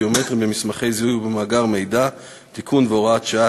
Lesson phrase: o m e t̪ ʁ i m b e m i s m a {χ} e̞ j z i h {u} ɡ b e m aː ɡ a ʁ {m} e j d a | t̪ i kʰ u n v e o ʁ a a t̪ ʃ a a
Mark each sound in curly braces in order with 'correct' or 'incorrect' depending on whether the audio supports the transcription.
correct, correct, correct

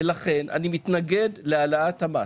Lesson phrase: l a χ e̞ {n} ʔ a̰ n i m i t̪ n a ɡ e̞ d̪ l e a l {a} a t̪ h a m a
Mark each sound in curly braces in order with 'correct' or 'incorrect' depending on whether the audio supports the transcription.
correct, correct

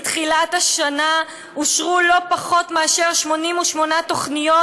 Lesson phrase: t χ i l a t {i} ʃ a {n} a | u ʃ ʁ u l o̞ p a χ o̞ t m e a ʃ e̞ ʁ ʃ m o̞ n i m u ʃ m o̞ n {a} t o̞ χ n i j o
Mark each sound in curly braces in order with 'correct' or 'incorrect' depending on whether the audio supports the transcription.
incorrect: a, correct, correct

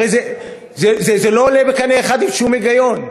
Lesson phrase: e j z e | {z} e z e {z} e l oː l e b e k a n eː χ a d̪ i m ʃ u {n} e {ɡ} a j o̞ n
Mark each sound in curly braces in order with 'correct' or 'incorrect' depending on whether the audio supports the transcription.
correct, correct, incorrect: m, correct

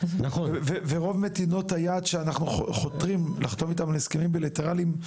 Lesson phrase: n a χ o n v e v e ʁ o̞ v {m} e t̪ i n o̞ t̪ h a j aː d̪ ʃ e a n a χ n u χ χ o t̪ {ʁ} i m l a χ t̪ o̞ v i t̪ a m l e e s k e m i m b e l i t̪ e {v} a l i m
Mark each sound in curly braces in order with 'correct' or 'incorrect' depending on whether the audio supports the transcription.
correct, correct, incorrect: ʁ

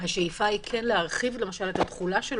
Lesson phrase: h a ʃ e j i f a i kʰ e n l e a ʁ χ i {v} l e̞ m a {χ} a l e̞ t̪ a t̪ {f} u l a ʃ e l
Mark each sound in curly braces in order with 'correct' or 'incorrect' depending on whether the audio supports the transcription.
correct, incorrect: ʃ, incorrect: χ

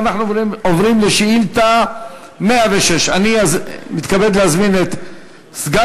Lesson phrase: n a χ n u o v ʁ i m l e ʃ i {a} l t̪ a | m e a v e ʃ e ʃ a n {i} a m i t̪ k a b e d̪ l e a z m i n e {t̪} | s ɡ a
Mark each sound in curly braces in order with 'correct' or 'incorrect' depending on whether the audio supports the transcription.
incorrect: i, correct, correct

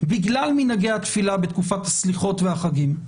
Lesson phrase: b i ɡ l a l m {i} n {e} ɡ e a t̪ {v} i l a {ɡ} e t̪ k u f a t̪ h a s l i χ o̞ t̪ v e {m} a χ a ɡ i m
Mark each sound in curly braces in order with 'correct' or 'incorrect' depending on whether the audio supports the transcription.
correct, incorrect: a, incorrect: f, incorrect: b, incorrect: none

